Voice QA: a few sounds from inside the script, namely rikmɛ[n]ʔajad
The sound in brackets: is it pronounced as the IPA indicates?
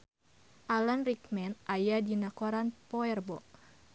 yes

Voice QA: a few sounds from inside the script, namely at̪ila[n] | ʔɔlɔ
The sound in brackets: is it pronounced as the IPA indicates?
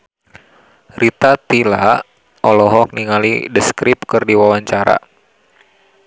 no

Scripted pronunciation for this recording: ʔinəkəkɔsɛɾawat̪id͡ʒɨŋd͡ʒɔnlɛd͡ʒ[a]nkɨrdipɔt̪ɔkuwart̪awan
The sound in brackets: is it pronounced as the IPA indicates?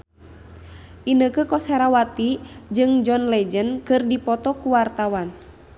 no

